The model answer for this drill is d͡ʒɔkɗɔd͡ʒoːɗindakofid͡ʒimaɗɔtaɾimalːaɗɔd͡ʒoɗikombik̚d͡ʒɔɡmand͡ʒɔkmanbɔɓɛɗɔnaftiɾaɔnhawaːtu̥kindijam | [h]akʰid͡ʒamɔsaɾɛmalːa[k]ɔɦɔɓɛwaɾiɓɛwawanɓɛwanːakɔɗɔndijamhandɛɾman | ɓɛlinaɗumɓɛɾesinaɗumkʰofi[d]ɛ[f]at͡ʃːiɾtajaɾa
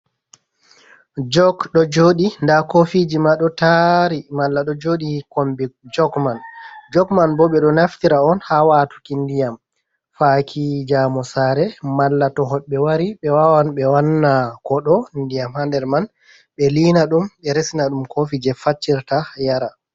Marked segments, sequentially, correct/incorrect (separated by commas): incorrect, incorrect, incorrect, correct